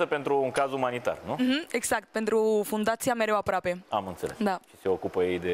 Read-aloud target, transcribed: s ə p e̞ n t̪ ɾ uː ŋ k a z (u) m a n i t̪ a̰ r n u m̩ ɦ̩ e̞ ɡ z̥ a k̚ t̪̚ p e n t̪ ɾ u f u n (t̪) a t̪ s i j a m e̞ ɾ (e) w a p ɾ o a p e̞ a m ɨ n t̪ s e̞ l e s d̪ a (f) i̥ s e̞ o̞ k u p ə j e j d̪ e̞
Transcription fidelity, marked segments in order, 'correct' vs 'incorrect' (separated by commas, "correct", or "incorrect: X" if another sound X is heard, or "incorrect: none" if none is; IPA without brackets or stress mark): correct, incorrect: d̪, correct, incorrect: ʃ